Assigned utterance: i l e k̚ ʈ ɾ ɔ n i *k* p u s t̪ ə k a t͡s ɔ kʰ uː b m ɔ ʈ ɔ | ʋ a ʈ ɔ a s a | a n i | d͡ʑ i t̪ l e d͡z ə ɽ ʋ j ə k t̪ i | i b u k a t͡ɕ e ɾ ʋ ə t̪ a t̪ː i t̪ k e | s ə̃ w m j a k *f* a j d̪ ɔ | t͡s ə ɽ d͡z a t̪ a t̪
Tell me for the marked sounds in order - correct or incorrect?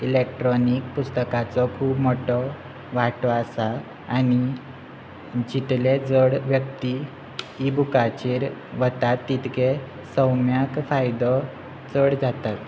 correct, correct

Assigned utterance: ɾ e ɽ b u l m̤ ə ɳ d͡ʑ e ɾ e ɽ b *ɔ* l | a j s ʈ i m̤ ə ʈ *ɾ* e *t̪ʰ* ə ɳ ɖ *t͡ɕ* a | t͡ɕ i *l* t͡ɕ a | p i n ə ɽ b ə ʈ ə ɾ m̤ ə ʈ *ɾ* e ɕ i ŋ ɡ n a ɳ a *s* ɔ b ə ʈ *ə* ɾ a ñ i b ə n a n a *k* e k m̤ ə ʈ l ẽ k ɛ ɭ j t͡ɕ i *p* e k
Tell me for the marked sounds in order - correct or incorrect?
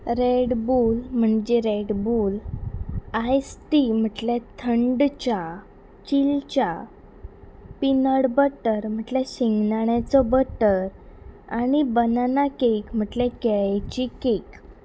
incorrect: u, incorrect: l, correct, correct, correct, incorrect: l, incorrect: t͡s, correct, correct, incorrect: k

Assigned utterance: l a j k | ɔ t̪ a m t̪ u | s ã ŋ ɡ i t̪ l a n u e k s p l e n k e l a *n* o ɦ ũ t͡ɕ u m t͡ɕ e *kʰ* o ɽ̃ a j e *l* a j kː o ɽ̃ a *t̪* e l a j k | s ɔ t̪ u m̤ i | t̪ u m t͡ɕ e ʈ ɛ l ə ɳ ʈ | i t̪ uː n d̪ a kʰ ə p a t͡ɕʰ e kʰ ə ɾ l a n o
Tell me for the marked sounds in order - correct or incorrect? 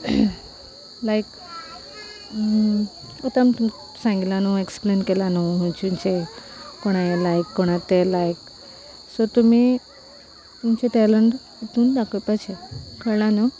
correct, incorrect: k, correct, correct

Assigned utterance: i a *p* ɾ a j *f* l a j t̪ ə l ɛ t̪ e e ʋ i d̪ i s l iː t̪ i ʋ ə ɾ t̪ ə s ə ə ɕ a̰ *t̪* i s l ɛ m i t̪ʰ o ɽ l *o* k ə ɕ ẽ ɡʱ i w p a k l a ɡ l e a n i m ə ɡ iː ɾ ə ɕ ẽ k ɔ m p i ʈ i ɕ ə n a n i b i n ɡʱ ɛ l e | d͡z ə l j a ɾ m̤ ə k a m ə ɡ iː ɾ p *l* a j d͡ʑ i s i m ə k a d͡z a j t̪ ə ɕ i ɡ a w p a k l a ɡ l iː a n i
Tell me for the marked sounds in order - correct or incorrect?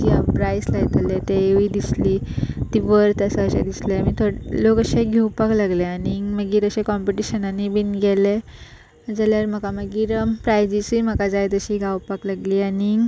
correct, incorrect: s, incorrect: d̪, correct, incorrect: ɾ

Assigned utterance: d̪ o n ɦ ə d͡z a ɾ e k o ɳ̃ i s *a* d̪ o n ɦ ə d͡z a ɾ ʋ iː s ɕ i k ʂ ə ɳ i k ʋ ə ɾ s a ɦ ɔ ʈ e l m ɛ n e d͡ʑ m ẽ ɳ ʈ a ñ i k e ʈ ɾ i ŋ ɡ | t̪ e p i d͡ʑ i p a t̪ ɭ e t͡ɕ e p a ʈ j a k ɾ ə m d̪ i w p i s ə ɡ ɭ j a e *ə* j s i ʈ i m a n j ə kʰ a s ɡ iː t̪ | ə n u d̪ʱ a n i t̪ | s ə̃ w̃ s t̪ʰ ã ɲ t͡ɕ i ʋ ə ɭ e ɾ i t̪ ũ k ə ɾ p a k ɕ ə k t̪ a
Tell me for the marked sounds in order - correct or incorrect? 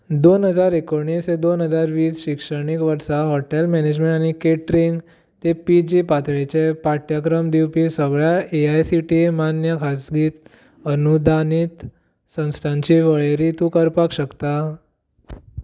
incorrect: e, incorrect: a

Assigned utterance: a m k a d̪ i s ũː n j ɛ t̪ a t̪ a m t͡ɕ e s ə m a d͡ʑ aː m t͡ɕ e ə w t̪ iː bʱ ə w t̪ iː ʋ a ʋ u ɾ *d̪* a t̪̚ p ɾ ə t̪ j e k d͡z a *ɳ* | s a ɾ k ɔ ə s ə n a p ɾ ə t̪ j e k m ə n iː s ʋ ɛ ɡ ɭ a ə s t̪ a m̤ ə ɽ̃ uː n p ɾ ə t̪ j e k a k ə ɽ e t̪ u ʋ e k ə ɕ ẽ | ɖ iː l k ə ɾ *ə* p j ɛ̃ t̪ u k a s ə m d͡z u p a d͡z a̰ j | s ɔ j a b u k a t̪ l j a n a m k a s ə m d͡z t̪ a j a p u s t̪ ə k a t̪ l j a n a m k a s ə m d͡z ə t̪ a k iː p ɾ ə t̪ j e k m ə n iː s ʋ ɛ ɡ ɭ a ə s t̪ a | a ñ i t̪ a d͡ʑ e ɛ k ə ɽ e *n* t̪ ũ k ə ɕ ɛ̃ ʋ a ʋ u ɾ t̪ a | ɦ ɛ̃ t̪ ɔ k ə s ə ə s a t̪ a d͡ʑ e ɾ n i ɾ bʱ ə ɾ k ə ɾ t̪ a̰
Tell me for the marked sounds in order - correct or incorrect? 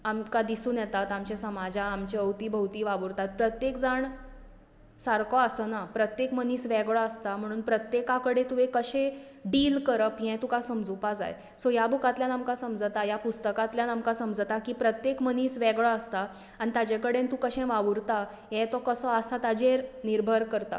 incorrect: t̪, correct, correct, correct

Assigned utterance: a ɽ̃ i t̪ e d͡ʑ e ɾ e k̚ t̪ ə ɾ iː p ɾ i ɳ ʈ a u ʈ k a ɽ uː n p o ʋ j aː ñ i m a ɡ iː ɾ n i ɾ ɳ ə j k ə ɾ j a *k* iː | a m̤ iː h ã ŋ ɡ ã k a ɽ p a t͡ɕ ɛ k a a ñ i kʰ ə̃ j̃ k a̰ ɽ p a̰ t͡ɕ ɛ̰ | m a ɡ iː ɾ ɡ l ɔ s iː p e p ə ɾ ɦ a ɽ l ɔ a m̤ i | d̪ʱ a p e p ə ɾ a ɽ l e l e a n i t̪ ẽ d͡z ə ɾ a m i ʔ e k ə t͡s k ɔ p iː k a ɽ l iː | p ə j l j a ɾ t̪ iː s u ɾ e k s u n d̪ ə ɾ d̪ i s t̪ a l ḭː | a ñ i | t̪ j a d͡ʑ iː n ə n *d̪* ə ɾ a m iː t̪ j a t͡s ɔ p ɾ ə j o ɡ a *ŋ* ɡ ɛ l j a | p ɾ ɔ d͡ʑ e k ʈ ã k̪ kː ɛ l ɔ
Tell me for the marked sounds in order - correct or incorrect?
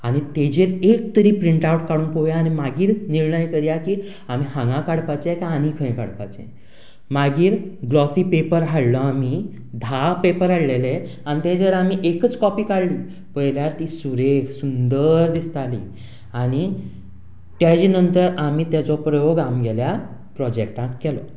correct, incorrect: t̪, incorrect: m

